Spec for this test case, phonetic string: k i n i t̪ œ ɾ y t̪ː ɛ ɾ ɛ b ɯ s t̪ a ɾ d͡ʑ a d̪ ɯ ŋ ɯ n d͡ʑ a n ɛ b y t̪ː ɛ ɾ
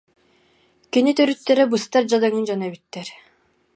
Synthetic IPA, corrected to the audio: k i n i t̪ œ ɾ y t̪ː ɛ ɾ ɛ b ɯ s t̪ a ɾ d͡ʑ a d̪ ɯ ŋ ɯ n d͡ʑ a n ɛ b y t̪ː ɛ ɾ